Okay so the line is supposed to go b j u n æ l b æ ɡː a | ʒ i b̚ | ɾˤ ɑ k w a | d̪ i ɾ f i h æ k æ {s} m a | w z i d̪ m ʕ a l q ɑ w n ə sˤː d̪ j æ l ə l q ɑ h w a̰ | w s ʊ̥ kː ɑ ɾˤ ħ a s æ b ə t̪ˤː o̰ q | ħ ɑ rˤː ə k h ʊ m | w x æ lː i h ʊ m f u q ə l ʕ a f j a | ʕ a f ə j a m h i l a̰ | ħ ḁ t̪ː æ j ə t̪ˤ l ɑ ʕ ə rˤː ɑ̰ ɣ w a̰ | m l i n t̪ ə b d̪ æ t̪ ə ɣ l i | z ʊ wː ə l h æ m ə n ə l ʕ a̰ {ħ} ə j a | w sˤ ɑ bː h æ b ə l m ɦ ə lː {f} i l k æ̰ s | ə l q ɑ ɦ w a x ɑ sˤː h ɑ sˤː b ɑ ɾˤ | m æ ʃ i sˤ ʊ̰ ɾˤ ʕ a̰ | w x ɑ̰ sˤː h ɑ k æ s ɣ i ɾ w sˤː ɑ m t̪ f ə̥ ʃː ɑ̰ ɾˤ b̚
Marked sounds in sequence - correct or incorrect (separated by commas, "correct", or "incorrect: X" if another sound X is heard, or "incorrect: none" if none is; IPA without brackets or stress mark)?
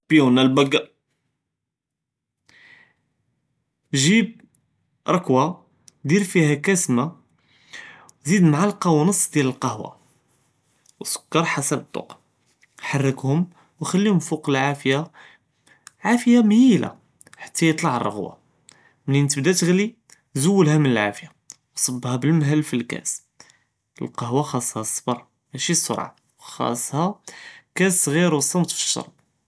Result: correct, incorrect: f, correct